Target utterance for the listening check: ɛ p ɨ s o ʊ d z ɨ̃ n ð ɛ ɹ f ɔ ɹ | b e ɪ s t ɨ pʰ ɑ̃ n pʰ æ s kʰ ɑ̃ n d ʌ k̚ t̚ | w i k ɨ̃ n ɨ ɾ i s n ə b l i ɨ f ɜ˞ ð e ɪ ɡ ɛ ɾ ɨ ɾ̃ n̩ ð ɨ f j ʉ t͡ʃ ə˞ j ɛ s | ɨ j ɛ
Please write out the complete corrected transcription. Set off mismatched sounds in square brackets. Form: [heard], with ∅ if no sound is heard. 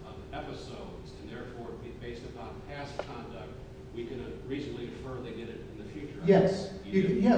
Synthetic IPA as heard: ɛ p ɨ s o ʊ d z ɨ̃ n ð ɛ ɹ f ɔ ɹ | b e ɪ s t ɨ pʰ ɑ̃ n pʰ æ s kʰ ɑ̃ n d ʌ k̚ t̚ | w i k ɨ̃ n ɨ [ɹ] i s n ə b l i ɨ f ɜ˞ ð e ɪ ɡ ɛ ɾ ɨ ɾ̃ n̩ ð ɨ f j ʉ t͡ʃ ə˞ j ɛ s | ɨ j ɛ